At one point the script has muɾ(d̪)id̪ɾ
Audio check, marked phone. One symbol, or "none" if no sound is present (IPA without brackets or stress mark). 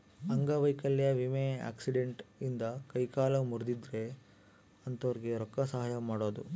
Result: d̪